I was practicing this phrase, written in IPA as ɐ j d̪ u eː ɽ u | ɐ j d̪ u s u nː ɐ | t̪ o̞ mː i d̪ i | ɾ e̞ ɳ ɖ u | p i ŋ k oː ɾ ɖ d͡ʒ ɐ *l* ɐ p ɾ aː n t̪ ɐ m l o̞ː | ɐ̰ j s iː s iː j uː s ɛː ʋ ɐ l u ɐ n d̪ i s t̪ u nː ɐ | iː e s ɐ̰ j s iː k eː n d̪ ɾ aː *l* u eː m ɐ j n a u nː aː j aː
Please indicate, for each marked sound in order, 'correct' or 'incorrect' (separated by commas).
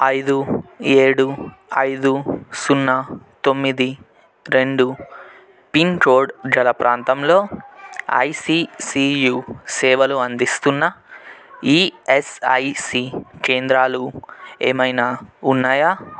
correct, correct